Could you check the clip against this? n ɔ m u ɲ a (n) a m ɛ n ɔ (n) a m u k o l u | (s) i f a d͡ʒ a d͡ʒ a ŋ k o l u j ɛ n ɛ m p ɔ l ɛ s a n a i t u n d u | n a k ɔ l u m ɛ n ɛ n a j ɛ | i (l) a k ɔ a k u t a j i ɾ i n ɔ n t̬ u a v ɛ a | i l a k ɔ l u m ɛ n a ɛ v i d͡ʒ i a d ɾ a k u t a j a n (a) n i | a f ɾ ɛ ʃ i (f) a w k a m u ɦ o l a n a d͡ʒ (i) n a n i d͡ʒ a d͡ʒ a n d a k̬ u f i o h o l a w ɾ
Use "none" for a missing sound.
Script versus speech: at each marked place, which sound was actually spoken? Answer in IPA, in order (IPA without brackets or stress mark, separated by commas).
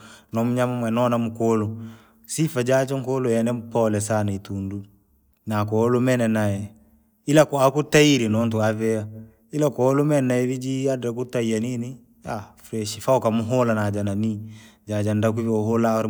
m, n, s, l, i, f, a